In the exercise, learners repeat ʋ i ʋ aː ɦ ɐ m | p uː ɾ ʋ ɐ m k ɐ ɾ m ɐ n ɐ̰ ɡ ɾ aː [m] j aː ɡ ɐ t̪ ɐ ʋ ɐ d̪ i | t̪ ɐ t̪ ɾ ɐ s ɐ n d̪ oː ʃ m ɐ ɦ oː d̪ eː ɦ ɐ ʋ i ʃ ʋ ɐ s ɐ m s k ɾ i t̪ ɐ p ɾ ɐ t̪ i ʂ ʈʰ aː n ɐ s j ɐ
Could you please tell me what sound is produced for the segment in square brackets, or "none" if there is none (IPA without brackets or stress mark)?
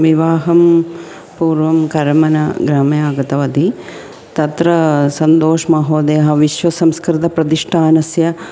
m